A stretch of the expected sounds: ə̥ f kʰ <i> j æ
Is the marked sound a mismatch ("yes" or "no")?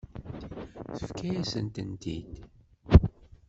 yes